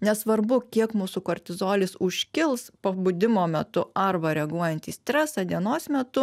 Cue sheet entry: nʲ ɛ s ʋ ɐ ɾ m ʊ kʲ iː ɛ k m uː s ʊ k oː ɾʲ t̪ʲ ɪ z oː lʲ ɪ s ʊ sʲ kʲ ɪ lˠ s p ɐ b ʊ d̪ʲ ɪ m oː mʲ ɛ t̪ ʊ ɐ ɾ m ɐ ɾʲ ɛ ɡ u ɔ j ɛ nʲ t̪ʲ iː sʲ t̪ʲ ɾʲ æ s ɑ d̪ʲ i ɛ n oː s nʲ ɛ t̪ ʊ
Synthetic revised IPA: nʲ ɛ s ʋ ɐ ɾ b ʊ kʲ i ɛ k m uː s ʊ k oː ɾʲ t̪ʲ ɪ z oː lʲ ɪ s ʊ ʃʲ kʲ ɪ lˠ s p ɐ b ʊ d̪ʲ ɪ m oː mʲ ɛ t̪ ʊ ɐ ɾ b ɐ ɾʲ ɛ ɡ u ɔ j ɛ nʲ t̪ʲ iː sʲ t̪ʲ ɾʲ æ s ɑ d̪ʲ i ɛ n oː s mʲ ɛ t̪ ʊ